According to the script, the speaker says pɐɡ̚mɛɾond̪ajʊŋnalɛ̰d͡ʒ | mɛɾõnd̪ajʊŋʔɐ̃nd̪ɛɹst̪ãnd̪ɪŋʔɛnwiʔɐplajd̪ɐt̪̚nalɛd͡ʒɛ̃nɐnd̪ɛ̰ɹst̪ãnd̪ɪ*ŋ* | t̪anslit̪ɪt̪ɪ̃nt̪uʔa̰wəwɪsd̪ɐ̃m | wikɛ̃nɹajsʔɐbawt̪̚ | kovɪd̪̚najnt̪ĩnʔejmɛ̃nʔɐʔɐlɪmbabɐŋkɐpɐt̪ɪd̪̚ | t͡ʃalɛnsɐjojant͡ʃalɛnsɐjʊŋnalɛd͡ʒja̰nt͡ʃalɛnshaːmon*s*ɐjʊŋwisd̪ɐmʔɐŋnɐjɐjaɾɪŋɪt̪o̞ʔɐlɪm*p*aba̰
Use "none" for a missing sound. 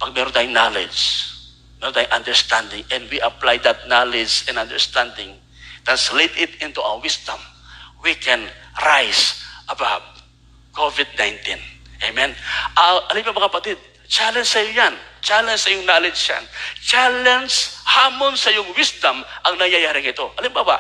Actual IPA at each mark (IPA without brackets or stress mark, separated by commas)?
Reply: ŋ, s, b